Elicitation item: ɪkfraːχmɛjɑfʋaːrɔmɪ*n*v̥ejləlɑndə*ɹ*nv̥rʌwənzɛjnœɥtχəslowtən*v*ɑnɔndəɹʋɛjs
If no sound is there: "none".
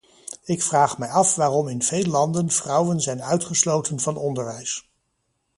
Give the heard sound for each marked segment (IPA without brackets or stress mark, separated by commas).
n, none, v